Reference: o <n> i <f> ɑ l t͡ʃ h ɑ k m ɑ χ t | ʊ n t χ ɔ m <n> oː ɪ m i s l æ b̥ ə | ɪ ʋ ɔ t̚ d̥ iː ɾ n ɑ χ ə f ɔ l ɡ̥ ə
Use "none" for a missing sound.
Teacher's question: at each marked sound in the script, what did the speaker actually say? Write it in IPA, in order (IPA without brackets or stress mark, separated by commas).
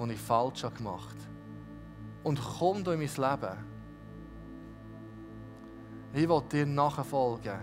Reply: n, f, d